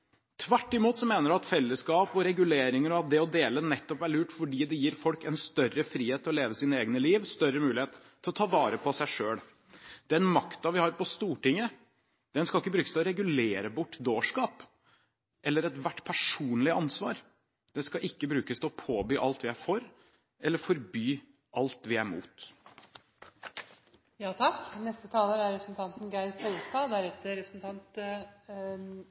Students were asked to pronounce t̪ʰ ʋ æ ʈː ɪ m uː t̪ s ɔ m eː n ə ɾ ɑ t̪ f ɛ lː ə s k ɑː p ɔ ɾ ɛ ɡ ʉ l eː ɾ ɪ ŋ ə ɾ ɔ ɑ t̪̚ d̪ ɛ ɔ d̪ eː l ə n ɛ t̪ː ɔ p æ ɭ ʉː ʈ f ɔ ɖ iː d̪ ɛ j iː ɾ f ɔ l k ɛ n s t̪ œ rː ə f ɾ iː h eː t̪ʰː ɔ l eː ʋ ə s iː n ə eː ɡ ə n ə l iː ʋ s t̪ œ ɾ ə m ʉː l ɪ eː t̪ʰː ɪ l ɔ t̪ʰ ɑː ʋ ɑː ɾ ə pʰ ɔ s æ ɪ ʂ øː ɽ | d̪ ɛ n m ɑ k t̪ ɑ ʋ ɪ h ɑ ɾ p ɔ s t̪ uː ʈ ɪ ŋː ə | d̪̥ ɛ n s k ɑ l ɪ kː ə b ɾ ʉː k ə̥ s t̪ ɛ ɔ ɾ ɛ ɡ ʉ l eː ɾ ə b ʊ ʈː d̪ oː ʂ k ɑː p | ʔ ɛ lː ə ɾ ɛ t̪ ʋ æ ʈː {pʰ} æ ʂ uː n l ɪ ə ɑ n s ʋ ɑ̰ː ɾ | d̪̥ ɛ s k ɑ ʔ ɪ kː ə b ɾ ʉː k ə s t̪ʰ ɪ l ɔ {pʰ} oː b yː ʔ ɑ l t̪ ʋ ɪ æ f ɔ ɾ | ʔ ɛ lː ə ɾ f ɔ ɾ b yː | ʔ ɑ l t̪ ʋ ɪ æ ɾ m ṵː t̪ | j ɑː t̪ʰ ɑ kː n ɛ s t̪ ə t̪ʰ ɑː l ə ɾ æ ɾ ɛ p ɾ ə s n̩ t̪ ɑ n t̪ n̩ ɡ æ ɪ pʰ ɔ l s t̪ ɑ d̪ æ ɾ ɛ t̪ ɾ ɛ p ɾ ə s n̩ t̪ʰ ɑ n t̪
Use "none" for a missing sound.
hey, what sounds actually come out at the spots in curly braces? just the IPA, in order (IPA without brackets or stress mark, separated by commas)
pʰ, pʰ